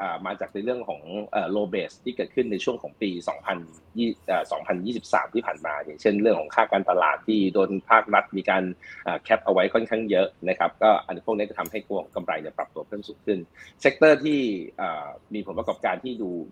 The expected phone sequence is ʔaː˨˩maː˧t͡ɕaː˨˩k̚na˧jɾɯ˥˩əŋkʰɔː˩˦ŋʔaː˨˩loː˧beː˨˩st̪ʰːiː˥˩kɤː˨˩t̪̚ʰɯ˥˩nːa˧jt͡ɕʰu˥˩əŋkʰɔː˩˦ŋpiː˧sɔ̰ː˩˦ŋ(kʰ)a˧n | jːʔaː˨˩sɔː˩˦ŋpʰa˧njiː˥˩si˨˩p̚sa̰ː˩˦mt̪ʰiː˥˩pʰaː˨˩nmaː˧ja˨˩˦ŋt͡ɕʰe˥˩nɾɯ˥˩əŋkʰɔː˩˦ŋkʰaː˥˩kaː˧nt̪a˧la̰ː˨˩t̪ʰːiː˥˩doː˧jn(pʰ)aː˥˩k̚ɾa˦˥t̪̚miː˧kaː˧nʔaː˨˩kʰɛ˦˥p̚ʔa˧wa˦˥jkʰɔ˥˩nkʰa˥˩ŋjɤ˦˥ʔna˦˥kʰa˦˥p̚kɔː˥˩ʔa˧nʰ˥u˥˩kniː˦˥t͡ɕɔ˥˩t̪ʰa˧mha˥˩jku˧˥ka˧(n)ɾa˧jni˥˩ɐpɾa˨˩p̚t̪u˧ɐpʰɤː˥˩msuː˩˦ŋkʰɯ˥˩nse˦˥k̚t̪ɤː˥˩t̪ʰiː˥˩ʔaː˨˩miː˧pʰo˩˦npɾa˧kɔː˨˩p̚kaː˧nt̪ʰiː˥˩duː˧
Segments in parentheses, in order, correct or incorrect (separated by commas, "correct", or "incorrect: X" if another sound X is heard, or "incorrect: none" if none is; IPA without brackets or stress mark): incorrect: pʰ, correct, incorrect: m